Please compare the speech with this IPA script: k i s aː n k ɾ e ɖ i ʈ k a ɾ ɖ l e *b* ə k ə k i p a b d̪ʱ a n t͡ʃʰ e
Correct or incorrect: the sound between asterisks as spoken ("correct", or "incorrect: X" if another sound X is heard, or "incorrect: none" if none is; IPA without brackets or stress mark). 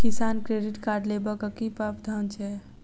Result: correct